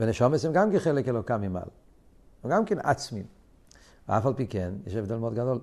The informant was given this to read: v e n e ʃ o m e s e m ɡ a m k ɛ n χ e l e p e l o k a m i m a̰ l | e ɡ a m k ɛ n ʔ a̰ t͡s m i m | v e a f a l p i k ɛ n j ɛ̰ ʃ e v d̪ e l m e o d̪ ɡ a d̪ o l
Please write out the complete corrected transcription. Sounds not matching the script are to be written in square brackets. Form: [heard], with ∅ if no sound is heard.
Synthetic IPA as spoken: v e n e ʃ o m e s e m ɡ a m k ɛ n χ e l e [k] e l o k a m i m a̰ l | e ɡ a m k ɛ n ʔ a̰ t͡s m i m | v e a f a l p i k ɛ n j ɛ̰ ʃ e v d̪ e l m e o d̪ ɡ a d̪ o l